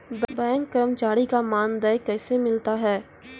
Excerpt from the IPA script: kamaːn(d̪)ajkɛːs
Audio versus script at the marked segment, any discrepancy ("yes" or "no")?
no